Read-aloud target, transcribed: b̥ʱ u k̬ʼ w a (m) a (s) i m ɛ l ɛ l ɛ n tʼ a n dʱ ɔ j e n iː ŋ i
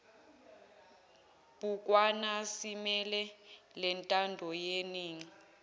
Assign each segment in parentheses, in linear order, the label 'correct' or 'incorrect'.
incorrect: n, correct

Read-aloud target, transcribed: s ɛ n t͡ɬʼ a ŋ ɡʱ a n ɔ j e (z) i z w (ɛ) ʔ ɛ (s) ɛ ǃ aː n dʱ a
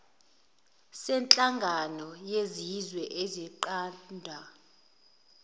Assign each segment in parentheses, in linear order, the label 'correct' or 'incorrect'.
correct, correct, incorrect: z

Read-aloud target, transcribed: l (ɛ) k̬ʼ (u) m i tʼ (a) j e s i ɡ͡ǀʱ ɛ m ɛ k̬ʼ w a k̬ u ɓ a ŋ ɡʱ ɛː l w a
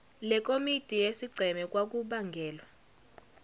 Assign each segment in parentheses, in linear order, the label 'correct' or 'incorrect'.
correct, incorrect: o, incorrect: i

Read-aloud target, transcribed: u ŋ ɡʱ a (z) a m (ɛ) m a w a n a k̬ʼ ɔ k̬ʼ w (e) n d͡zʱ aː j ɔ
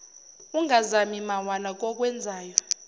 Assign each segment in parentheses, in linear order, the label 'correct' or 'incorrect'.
correct, incorrect: i, incorrect: ɛ

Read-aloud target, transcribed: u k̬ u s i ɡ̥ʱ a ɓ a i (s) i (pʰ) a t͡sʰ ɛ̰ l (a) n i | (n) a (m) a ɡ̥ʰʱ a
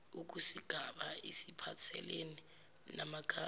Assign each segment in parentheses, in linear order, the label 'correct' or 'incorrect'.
correct, correct, incorrect: e, correct, correct

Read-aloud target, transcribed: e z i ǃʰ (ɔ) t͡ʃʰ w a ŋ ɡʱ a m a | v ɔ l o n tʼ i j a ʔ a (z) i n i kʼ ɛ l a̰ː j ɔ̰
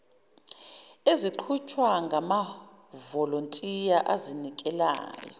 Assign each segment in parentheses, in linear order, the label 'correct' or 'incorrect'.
incorrect: u, correct

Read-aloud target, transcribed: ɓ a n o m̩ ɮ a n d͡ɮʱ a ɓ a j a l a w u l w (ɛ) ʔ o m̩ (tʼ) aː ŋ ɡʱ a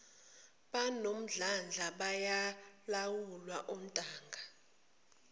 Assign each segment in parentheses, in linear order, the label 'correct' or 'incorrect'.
incorrect: a, correct

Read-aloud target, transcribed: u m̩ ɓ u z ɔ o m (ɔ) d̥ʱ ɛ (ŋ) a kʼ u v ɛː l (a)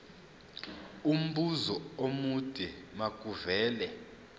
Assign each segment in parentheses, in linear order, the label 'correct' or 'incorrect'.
incorrect: u, incorrect: m, incorrect: ɛ

